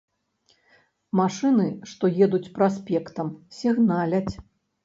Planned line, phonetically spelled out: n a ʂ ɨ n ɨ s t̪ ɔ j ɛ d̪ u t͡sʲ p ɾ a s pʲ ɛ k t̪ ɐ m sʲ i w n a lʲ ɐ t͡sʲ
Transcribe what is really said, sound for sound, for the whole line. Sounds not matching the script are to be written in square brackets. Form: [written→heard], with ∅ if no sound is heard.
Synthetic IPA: [n→m] a ʂ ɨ n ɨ [s→ʂ] t̪ ɔ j ɛ d̪ u t͡sʲ p ɾ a s pʲ ɛ k t̪ ɐ m sʲ i [w→ɣ] n a lʲ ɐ t͡sʲ